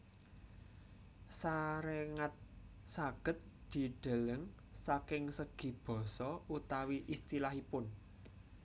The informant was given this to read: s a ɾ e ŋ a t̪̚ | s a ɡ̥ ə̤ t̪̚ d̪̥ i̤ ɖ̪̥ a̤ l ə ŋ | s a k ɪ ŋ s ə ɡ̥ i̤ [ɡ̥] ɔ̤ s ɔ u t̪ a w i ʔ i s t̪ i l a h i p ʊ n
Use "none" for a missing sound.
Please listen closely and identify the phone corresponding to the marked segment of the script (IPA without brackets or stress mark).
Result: b̥